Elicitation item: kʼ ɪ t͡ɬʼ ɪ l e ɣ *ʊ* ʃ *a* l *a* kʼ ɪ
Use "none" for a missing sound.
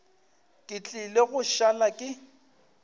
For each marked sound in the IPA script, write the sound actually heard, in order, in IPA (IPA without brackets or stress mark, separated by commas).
ʊ, a, a